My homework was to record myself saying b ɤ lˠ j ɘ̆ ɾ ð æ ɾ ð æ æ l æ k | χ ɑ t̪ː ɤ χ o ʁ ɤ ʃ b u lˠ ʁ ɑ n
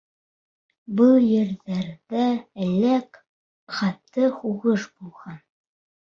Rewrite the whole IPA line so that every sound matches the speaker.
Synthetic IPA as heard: b ɤ lˠ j ɘ̆ ɾ ð æ ɾ ð æ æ l æ k | χ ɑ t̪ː ɤ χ u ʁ ɤ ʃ b u lˠ ʁ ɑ n